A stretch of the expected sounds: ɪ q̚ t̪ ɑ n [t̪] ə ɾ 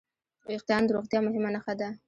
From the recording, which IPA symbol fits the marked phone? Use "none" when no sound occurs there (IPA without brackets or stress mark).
d̪